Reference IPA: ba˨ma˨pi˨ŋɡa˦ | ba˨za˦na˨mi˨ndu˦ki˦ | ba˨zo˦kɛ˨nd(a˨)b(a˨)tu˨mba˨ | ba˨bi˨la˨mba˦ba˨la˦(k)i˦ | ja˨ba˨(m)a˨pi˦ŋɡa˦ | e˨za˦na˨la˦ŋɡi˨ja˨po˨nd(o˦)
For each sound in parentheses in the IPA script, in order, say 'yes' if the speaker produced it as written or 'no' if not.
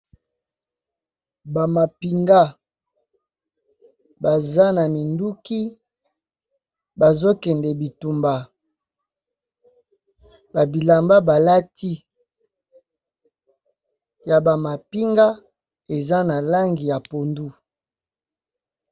no, no, no, yes, no

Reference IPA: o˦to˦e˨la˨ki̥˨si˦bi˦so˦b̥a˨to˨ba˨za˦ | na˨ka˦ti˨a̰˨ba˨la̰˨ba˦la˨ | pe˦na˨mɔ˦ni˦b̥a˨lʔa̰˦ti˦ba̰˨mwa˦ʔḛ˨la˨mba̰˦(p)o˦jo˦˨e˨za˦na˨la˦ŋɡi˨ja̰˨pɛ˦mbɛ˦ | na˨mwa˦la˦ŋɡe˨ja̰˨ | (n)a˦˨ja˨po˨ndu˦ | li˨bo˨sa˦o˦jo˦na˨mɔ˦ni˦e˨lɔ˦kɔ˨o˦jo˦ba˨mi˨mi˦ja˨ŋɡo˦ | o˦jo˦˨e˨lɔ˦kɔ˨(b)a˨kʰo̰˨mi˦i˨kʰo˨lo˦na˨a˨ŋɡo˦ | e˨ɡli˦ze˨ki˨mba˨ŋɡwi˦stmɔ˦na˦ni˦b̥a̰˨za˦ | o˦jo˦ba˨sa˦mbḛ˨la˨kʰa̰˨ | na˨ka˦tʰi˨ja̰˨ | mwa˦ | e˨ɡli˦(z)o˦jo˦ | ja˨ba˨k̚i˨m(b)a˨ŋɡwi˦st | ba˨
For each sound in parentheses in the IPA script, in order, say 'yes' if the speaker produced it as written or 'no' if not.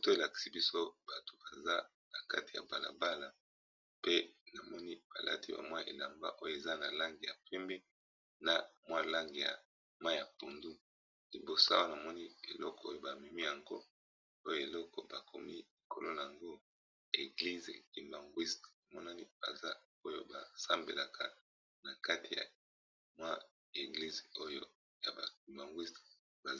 no, no, yes, yes, yes

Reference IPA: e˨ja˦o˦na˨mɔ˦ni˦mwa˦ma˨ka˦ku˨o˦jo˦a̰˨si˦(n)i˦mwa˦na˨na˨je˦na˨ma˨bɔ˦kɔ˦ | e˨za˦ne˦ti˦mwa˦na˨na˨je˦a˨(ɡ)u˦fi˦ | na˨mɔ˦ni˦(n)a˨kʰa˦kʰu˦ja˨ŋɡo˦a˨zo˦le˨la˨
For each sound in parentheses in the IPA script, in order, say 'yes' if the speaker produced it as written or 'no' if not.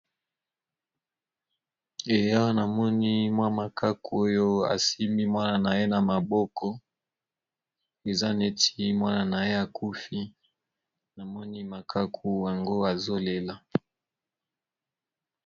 no, no, no

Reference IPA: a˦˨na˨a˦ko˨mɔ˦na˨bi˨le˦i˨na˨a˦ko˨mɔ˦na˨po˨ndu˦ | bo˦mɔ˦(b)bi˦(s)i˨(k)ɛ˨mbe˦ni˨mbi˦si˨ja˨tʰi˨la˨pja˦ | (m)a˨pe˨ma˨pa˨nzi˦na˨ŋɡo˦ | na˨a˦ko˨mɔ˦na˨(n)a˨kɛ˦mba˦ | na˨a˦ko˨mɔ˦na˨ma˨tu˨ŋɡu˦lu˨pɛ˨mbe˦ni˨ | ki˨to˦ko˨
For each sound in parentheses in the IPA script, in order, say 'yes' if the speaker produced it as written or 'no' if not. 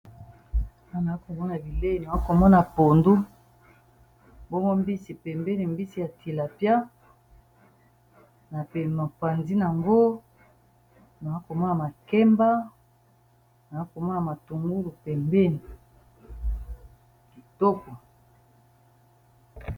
no, yes, no, no, no

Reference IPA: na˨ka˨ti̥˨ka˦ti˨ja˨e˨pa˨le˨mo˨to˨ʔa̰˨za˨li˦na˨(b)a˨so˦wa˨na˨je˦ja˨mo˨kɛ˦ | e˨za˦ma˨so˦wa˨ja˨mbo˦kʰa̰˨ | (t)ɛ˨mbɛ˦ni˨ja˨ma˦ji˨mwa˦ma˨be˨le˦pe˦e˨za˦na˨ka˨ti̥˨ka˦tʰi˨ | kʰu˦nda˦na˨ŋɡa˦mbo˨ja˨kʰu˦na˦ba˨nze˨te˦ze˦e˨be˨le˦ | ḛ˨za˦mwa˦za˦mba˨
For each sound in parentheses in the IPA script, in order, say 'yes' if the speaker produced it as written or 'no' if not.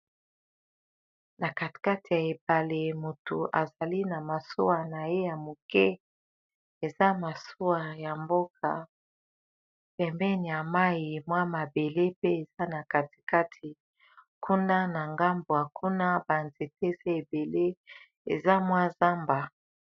no, no

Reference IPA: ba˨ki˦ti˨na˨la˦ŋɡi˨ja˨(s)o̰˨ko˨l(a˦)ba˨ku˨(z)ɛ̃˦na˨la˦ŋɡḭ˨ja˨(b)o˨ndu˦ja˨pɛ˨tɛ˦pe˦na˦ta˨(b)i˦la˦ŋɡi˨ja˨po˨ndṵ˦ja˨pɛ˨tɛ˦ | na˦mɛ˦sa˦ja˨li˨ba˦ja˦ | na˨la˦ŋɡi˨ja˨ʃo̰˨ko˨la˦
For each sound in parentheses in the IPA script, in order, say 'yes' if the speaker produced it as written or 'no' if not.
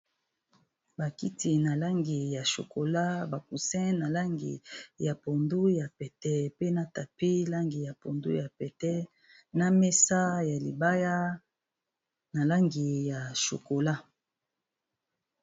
no, yes, no, no, no

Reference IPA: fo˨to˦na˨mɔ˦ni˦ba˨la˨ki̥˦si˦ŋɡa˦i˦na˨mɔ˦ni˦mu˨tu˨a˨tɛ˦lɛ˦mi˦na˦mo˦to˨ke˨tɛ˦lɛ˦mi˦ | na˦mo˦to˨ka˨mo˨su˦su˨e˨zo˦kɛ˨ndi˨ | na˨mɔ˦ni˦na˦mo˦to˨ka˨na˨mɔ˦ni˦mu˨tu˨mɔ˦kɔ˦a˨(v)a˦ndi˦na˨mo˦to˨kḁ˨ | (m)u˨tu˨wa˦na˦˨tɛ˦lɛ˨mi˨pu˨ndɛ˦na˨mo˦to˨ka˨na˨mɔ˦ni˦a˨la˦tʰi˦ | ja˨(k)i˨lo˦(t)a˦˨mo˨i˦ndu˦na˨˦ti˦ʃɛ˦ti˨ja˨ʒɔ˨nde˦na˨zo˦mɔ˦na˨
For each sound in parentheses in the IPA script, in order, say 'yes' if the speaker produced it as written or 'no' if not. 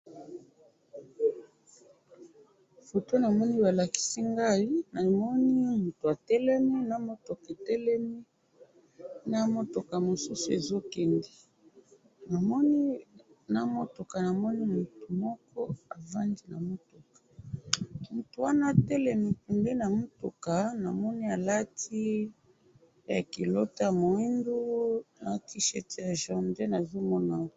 yes, yes, yes, yes

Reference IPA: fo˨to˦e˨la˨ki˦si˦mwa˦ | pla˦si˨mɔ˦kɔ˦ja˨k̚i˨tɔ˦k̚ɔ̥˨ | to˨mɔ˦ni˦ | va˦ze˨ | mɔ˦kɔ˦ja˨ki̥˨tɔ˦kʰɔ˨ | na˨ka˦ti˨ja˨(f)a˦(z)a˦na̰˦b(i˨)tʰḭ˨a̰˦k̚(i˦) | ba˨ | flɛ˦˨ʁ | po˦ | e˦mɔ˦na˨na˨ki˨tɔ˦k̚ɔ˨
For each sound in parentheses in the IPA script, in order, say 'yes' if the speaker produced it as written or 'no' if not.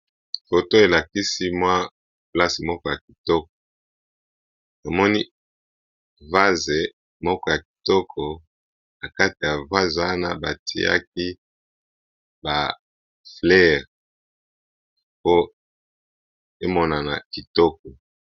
no, yes, no, yes

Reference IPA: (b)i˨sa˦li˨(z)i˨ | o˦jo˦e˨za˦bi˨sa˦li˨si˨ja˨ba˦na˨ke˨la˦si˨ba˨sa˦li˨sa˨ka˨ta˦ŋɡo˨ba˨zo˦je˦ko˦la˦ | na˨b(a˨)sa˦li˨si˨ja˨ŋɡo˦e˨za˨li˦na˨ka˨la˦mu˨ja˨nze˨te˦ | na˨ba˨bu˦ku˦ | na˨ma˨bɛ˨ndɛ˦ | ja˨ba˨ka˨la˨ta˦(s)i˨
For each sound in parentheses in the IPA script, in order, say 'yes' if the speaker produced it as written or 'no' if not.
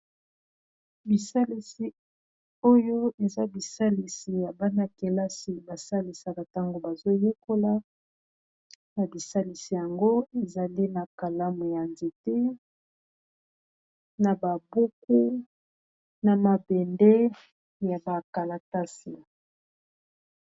yes, no, no, yes

